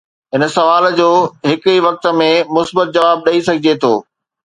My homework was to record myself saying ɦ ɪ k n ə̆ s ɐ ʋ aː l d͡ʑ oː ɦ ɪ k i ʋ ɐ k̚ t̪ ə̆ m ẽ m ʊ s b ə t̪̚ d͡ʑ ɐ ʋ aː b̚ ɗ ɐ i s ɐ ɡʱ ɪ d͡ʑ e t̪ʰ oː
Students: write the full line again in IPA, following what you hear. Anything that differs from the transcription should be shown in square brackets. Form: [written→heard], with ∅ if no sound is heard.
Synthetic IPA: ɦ ɪ [k→∅] n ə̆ s ɐ ʋ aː l d͡ʑ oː ɦ ɪ k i ʋ ɐ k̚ t̪ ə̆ m ẽ m ʊ s b ə t̪̚ d͡ʑ ɐ ʋ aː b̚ ɗ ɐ i s ɐ ɡʱ ɪ d͡ʑ e t̪ʰ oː